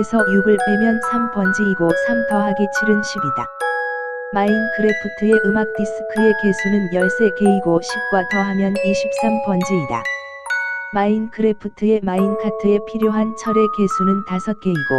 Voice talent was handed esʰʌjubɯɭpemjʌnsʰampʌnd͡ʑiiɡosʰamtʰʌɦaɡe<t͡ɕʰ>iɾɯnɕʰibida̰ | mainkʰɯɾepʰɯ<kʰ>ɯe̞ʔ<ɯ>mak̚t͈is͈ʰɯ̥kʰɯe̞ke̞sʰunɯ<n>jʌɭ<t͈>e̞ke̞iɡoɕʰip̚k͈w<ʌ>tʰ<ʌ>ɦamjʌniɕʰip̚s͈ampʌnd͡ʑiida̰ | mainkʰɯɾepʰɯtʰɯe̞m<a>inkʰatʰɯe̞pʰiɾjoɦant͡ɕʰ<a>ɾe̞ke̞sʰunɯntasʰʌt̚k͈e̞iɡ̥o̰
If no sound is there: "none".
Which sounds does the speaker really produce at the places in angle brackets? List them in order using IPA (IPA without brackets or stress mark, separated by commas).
t͡ɕʰ, tʰ, ɯ, n, s͈, a, ʌ, a, ʌ